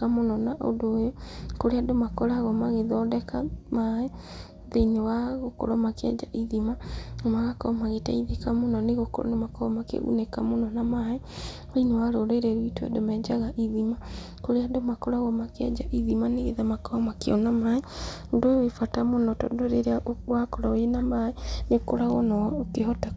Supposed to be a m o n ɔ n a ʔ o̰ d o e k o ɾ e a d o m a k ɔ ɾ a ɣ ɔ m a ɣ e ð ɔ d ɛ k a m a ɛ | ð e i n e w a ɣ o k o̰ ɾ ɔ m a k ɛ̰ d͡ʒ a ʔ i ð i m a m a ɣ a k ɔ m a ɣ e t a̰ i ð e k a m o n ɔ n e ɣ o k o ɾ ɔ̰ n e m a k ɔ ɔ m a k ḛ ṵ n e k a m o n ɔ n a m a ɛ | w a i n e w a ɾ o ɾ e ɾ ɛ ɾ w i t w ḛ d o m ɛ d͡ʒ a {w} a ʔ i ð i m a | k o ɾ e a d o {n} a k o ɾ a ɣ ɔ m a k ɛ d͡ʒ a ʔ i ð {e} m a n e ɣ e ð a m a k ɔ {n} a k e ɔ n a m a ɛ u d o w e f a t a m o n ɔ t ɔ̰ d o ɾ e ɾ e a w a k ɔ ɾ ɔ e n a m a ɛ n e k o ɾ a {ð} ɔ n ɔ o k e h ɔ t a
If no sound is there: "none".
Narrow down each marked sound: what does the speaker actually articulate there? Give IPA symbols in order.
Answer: ɣ, m, i, m, ɣ

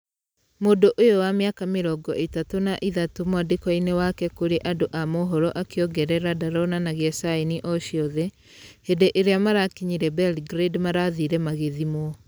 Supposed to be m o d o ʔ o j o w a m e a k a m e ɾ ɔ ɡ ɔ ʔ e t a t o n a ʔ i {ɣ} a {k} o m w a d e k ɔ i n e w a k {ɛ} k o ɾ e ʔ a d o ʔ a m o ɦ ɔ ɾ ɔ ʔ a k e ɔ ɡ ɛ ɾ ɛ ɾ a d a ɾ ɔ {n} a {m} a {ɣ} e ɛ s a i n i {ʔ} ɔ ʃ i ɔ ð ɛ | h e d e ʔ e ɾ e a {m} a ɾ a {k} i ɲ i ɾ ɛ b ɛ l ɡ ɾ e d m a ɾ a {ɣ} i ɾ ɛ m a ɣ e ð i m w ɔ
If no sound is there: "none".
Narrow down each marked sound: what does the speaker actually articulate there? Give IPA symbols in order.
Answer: ð, t, ɛ, n, n, ɣ, ʔ, m, k, ð

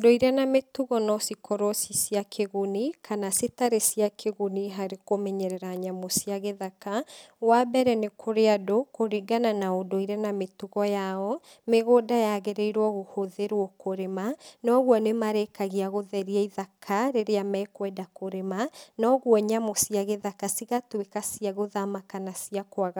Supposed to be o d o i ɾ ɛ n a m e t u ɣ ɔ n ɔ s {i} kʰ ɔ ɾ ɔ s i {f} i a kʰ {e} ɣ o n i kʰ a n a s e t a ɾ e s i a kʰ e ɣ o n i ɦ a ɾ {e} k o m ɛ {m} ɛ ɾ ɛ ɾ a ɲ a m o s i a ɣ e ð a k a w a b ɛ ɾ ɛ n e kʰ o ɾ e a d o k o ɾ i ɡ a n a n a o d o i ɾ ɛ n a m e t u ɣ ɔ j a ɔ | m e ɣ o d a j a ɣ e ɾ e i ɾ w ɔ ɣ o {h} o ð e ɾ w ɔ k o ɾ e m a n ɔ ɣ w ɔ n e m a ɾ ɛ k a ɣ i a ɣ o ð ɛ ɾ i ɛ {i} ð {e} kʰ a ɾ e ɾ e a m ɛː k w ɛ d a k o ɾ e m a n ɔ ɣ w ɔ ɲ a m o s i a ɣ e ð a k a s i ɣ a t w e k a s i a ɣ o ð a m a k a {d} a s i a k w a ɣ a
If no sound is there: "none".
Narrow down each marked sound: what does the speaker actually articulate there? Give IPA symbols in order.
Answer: i, s, e, e, ɲ, h, i, a, n

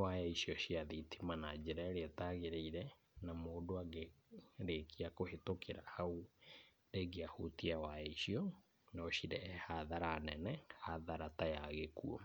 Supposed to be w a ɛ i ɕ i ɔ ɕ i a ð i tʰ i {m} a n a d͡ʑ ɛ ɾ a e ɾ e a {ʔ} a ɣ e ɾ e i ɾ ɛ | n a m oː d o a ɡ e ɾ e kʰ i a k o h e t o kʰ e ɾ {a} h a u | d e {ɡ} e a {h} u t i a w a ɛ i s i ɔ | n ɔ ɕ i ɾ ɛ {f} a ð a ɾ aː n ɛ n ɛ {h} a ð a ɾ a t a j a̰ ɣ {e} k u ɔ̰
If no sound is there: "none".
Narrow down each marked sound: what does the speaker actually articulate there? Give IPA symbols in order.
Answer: m, t, a, ɡ, h, h, h, e

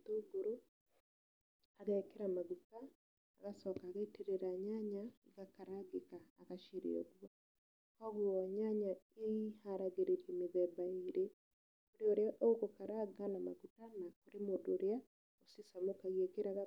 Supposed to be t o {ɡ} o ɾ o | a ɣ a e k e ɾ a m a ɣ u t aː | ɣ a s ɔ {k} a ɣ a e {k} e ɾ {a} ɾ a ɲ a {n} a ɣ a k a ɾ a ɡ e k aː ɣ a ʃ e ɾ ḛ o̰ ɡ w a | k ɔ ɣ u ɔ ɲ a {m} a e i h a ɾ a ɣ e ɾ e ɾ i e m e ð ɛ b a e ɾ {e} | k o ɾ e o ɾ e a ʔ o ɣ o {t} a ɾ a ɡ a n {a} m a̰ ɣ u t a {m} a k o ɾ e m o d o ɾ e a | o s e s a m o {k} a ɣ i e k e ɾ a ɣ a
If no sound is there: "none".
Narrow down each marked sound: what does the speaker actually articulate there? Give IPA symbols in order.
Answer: ɡ, k, t, e, ɲ, ɲ, e, k, a, n, k

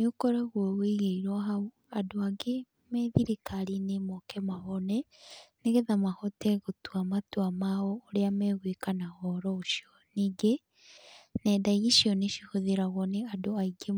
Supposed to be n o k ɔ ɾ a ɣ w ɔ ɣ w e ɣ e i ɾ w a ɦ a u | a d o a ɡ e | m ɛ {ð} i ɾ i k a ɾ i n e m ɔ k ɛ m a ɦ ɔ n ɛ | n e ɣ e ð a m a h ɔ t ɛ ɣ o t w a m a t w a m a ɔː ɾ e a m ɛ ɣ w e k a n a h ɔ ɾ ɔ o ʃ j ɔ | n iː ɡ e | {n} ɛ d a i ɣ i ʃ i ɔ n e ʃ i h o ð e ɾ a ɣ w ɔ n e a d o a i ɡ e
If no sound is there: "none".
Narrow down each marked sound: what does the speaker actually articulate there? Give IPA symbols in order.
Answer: ð, n

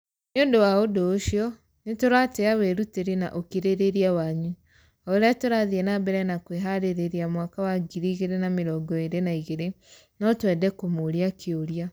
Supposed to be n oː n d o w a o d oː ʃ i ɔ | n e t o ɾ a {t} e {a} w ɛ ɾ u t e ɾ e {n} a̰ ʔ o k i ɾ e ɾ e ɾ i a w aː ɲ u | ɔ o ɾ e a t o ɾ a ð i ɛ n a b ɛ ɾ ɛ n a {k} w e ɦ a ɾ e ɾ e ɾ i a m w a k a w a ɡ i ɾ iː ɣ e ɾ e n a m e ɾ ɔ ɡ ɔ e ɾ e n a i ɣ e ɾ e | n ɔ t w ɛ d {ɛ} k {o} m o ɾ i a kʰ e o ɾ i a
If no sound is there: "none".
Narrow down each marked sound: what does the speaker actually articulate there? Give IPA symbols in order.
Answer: t, a, n, k, ɛ, o

